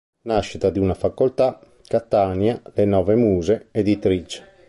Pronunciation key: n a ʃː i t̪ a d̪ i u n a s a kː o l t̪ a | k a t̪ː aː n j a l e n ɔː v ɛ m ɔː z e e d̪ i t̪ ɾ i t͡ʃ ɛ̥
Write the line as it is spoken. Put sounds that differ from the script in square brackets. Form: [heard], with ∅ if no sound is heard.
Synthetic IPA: n a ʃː i t̪ a d̪ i u n a [f] a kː o l t̪ a | k a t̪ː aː n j a l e n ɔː v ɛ m [uː] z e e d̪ i t̪ ɾ i t͡ʃ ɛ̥